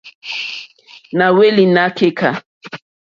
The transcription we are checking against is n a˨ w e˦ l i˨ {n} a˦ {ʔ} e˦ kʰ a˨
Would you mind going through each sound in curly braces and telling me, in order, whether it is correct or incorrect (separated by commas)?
correct, incorrect